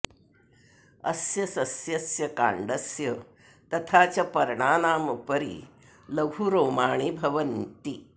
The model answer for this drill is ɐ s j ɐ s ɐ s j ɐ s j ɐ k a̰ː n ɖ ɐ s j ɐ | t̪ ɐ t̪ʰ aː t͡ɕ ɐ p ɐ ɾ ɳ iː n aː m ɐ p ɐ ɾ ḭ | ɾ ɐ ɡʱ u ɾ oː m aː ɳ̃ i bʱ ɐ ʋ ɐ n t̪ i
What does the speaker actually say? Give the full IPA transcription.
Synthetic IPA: ɐ s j ɐ s ɐ s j ɐ s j ɐ k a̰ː ɳ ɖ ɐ s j ɐ | t̪ ɐ t̪ʰ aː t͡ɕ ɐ p ɐ ɾ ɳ aː n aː m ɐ p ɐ ɾ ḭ | l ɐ ɡʱ u ɾ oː m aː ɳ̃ i bʱ ɐ ʋ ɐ n t̪ i